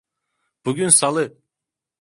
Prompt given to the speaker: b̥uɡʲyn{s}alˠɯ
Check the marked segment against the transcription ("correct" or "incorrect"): correct